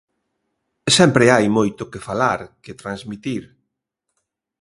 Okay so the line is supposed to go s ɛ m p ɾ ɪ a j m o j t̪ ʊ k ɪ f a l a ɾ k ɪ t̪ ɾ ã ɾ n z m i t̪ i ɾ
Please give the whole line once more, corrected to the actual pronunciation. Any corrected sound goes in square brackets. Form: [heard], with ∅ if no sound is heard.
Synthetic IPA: s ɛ m p ɾ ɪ a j m o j t̪ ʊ k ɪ f a l a ɾ k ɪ t̪ ɾ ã [∅] n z m i t̪ i ɾ